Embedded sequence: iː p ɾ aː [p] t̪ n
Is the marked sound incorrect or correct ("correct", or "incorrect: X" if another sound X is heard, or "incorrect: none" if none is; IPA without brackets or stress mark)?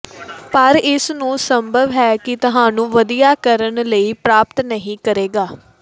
correct